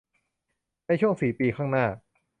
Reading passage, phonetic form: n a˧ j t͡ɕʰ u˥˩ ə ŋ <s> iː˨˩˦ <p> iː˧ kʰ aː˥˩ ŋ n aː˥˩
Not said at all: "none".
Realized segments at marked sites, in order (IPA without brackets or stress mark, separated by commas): s, p